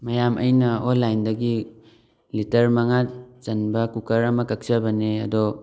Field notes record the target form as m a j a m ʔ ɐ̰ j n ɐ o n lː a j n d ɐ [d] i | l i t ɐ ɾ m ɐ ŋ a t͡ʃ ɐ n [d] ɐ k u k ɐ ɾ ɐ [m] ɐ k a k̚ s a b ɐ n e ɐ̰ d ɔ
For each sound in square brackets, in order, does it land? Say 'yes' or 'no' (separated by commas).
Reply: no, no, yes